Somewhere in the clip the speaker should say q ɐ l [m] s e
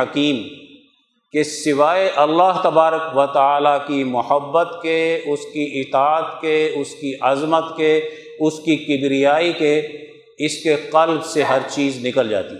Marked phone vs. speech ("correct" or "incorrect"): incorrect